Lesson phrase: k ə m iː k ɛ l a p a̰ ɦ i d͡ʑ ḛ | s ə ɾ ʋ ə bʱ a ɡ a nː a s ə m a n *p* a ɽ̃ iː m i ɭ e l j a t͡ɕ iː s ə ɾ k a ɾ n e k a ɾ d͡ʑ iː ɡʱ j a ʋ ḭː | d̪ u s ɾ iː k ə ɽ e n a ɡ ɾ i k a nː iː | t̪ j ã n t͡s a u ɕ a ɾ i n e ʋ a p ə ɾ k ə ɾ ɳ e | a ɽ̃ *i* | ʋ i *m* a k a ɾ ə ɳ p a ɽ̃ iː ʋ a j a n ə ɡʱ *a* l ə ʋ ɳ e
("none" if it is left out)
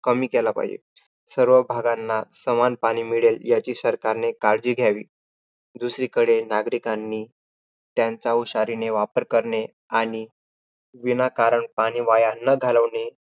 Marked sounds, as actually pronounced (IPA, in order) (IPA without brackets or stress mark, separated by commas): p, i, n, a